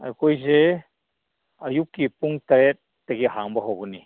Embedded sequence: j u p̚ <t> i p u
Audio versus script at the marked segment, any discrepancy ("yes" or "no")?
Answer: yes